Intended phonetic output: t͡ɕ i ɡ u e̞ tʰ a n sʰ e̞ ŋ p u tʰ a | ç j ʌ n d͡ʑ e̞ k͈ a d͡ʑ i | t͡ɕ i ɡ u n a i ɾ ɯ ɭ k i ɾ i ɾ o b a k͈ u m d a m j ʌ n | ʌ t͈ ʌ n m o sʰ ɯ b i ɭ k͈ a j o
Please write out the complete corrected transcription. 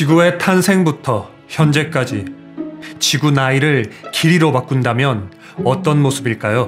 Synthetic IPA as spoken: t͡ɕ i ɡ u e̞ tʰ a n sʰ e̞ ŋ b u tʰ ʌ | ç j ʌ n d͡ʑ e̞ k͈ a d͡ʑ i | t͡ɕ i ɡ u n a i ɾ ɯ ɭ k i ɾ i ɾ o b a k͈ u n d a m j ʌ n | ʌ t͈ ʌ n m o sʰ ɯ b i ɭ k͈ a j o